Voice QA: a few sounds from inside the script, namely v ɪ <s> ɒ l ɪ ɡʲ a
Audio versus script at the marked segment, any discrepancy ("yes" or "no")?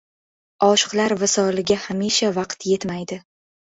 no